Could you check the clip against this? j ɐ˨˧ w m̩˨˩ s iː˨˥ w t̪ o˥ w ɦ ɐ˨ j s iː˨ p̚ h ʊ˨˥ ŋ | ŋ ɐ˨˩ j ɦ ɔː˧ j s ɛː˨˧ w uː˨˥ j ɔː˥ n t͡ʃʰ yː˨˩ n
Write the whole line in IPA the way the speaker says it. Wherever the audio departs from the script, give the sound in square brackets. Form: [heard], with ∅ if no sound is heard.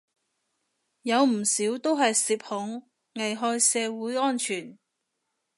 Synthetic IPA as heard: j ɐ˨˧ w m̩˨˩ s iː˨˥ w t̪ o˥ w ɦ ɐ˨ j s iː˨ p̚ h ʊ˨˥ ŋ | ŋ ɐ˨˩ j ɦ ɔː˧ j s ɛː˨˧ w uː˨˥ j ɔː˥ n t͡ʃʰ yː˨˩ n